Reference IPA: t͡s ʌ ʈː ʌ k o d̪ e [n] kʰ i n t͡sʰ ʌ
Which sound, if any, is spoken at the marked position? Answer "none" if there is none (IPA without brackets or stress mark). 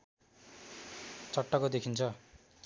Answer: none